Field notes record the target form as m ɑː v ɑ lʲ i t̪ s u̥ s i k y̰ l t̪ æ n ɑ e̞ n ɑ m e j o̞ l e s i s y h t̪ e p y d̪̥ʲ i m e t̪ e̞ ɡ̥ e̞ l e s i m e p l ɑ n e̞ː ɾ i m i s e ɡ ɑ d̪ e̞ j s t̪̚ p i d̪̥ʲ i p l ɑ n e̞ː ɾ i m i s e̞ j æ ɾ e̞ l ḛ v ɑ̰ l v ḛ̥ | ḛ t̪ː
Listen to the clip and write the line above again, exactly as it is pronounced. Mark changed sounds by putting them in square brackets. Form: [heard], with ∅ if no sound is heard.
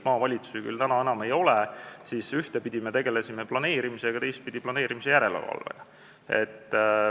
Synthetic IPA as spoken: m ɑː v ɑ lʲ i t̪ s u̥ s i k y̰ l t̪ æ n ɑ e̞ n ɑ m e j o̞ l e s i s y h t̪ e p [i] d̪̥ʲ i m e t̪ e̞ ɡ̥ e̞ l e s i m e p l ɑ n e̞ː ɾ i m i s e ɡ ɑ [t̪] e̞ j s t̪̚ p i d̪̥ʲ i p l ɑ n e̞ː ɾ i m i s e̞ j æ ɾ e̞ l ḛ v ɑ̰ l v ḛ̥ | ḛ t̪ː